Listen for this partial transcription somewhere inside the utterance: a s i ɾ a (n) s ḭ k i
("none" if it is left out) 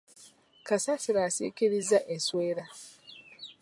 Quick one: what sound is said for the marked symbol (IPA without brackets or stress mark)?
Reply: none